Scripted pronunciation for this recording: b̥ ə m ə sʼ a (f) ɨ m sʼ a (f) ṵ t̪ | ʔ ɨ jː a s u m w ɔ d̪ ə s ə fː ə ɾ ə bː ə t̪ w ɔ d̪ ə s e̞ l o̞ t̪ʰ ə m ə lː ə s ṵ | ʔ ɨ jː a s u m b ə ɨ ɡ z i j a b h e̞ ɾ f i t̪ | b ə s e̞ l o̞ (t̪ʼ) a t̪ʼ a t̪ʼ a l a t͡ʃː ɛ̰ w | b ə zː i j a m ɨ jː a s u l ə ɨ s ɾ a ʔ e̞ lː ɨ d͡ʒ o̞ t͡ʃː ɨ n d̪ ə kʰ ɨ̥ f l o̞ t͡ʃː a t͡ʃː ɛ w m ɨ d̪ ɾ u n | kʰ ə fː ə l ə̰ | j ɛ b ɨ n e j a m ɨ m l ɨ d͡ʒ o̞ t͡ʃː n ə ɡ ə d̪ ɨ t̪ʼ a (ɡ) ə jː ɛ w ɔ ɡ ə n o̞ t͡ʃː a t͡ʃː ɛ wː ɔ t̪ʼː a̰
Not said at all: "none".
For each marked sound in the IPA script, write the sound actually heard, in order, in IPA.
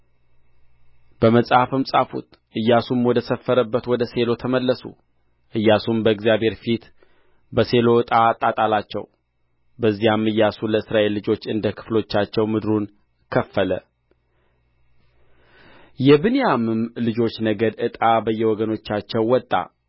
f, f, t̪ʼ, b

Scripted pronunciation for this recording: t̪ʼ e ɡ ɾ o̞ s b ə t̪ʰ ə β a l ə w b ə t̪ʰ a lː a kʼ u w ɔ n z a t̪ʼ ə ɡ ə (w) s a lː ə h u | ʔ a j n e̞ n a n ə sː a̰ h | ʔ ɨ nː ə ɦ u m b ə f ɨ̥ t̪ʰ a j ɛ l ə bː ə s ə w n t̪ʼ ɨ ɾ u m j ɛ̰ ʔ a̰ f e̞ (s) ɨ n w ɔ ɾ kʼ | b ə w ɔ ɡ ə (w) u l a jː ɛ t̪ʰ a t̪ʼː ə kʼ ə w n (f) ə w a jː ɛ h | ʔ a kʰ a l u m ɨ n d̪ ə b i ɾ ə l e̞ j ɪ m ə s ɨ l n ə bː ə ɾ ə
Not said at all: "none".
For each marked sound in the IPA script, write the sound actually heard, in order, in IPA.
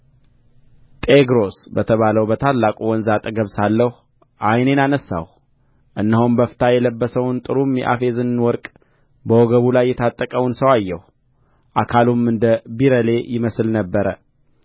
β, z, β, s

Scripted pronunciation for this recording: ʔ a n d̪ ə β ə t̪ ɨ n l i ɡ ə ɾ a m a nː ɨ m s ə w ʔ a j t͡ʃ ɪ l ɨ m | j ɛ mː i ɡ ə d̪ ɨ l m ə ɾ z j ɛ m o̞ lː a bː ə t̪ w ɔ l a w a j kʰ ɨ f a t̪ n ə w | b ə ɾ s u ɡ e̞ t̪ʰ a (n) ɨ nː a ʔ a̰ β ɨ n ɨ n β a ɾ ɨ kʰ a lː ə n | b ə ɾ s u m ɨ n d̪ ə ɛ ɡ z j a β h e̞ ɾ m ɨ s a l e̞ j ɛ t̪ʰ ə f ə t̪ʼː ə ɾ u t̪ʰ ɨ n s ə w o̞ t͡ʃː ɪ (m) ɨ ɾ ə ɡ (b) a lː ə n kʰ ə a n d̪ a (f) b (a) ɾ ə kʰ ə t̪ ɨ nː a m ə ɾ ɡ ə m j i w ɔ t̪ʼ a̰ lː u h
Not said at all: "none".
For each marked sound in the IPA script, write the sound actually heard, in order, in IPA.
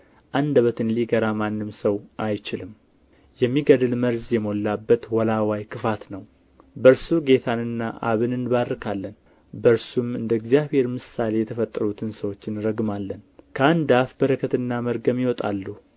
n, n, m, f, ə

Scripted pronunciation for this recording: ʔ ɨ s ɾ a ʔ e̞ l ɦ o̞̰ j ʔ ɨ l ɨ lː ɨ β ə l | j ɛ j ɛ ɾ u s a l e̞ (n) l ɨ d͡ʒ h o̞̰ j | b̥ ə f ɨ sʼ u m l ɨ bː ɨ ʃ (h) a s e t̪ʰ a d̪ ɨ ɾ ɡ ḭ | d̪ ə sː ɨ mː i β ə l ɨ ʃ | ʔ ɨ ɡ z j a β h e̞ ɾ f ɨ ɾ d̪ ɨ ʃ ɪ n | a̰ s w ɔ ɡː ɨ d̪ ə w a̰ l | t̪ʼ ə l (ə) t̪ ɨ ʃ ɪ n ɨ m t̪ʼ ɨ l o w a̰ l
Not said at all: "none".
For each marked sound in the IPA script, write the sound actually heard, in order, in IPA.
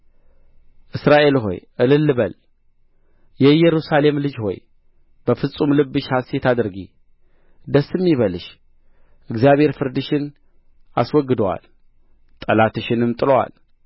m, h, a

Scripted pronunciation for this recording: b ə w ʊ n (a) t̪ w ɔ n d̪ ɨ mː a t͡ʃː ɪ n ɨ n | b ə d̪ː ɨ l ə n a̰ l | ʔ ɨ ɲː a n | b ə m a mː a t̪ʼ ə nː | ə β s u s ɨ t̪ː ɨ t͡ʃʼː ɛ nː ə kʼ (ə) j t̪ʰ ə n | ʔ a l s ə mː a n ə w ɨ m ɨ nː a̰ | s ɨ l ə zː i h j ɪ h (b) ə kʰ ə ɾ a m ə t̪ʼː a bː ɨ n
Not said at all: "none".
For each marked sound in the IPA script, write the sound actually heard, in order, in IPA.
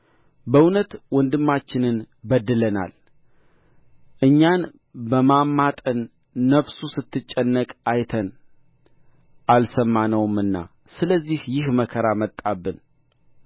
ə, a, m

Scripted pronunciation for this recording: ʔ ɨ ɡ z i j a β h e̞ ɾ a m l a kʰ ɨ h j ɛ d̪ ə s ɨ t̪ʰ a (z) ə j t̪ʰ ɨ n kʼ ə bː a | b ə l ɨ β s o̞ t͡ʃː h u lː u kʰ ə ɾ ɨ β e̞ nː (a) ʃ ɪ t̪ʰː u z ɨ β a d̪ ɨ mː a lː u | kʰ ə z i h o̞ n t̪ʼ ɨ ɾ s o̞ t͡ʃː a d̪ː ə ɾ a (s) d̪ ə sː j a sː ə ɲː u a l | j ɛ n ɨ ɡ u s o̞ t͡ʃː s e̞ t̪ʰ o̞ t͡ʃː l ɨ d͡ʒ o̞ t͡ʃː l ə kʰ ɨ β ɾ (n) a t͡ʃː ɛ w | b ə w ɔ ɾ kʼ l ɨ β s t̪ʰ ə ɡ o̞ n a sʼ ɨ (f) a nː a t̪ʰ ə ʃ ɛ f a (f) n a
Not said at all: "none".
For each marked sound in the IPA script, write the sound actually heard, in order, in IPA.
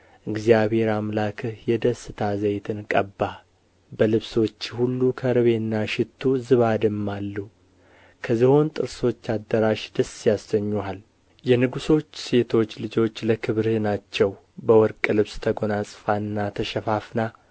z, a, ʃ, n, f, f

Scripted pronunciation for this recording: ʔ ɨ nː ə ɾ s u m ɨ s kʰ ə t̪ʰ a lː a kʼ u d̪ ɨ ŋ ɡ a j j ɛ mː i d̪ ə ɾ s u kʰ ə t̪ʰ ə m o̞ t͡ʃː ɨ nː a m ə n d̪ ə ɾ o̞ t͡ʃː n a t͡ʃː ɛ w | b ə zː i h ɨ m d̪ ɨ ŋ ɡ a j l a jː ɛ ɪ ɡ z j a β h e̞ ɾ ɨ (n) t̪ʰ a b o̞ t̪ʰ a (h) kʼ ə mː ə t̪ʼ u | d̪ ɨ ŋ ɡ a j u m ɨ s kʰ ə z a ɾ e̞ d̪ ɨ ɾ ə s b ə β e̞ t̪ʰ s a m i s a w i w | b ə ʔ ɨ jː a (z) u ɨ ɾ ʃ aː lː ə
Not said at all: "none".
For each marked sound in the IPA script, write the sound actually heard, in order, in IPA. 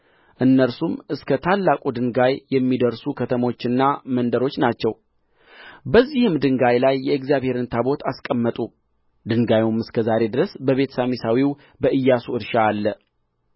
n, s, s

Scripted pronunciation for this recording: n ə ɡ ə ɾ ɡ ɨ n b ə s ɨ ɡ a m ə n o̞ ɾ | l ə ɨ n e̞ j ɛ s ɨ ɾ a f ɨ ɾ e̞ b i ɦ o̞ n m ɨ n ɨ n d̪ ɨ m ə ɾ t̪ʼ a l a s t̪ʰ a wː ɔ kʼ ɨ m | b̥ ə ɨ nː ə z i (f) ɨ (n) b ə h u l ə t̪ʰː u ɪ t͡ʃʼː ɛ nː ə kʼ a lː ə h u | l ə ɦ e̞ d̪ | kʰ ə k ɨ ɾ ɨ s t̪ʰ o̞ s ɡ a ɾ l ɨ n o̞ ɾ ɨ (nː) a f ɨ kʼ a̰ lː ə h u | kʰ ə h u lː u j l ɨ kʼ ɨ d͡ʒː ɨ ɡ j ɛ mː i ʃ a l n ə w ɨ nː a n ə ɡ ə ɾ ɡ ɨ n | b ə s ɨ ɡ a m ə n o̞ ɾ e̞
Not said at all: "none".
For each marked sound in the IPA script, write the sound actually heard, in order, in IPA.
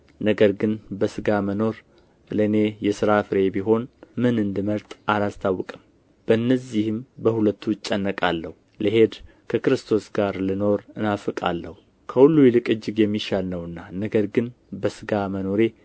h, m, n

